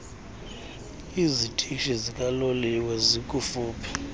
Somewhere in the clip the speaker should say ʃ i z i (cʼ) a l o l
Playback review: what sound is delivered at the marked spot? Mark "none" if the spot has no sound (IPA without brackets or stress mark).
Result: kʼ